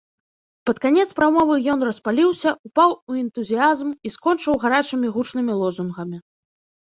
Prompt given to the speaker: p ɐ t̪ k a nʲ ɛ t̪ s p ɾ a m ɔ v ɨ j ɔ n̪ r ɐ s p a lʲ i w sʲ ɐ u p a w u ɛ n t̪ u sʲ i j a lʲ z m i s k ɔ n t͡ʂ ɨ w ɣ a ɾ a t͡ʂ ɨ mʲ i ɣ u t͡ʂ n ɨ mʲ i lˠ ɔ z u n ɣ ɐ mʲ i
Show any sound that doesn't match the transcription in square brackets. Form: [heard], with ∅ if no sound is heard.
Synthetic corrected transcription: p ɐ t̪ k a nʲ ɛ t̪ s p ɾ a m ɔ v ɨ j ɔ n̪ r ɐ s p a lʲ i w sʲ ɐ u p a w u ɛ n t̪ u [zʲ] i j a [∅] z m i s k ɔ n t͡ʂ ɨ w ɣ a ɾ a t͡ʂ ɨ mʲ i ɣ u t͡ʂ n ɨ mʲ i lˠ ɔ z u n ɣ ɐ mʲ i